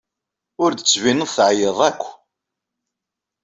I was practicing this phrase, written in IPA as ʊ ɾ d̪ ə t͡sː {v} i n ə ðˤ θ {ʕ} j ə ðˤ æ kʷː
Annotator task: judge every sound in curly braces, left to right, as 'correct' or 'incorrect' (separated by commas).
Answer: correct, correct